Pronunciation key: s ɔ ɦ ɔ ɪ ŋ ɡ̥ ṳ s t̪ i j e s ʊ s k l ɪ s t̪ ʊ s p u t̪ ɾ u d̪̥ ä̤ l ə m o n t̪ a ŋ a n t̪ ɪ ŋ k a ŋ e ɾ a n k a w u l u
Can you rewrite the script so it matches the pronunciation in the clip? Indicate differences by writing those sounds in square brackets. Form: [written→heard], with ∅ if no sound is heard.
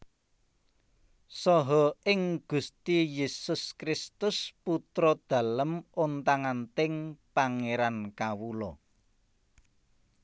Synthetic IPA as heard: s ɔ ɦ ɔ ɪ ŋ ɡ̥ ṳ s t̪ i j e s ʊ s k [l→ɾ] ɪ s t̪ ʊ s p u t̪ ɾ [u→ɔ] d̪̥ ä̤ l ə m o n t̪ a ŋ a n t̪ ɪ ŋ [k→p] a ŋ e ɾ a n k a w u l [u→ɔ]